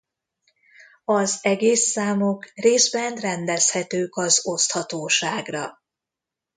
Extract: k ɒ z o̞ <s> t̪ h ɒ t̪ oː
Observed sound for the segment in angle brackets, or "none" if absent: s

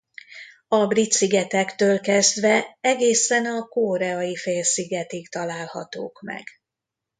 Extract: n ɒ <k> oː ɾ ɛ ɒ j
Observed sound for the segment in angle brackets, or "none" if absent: k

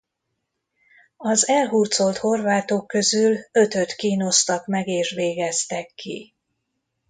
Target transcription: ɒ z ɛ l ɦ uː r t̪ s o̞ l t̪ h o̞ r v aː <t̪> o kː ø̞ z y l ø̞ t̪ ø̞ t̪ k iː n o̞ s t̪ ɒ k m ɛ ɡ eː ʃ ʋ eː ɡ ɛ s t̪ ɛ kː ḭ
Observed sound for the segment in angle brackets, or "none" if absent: t̪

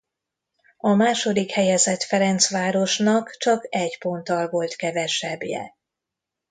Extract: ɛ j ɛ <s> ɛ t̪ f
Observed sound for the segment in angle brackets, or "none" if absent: z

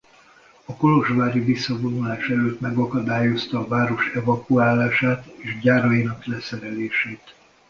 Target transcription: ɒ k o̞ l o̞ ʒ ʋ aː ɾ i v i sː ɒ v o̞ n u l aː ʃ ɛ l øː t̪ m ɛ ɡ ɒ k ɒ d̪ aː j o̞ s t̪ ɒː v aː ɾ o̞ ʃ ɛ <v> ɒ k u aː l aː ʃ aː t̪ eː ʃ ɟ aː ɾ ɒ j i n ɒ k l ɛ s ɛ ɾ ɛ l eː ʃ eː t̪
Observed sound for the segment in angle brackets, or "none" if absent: v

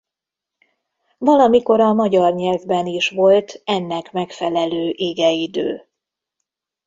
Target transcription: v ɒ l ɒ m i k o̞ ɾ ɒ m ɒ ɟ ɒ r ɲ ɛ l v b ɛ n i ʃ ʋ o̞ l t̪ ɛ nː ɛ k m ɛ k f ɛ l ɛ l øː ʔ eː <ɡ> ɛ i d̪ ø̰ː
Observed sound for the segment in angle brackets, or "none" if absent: ɡ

